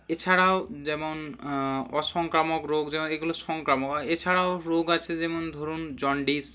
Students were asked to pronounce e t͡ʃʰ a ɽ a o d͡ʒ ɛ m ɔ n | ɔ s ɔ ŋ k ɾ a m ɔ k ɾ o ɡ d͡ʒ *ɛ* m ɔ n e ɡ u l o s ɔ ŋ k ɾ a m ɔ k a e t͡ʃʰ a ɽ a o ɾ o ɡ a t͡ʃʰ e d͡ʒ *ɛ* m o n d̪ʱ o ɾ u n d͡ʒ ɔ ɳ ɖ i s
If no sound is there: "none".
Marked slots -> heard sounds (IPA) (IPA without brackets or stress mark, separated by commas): ɛ, ɛ